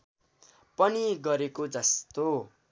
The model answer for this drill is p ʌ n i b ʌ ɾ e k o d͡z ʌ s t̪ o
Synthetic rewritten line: p ʌ n i ɡ ʌ ɾ e k o d͡z ʌ s t̪ o